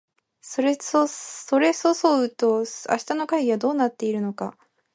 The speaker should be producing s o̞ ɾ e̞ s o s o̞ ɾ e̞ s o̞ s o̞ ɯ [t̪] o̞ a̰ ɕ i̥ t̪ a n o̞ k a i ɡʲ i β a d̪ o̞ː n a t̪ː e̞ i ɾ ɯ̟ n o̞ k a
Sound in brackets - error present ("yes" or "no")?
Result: no